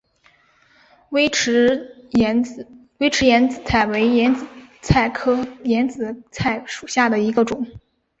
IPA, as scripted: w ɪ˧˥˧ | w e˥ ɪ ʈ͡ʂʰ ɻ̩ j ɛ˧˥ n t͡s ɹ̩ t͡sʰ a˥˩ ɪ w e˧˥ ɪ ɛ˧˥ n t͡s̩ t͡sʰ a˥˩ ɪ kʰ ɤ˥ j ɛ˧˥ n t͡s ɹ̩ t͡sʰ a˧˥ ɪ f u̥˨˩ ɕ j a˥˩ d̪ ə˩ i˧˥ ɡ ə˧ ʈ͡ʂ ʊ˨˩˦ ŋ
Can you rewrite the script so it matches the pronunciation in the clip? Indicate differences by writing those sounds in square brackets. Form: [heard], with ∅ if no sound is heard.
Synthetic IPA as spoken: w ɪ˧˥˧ | w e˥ ɪ ʈ͡ʂʰ ɻ̩ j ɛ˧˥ n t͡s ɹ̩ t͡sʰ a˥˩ ɪ w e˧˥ ɪ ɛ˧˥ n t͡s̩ t͡sʰ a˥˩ ɪ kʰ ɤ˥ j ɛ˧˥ n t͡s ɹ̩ t͡sʰ [a˥˩] ɪ [ʂ] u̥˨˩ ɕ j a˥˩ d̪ ə˩ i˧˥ ɡ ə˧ ʈ͡ʂ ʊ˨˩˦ ŋ